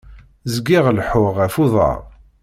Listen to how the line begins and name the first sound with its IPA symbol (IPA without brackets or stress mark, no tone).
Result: z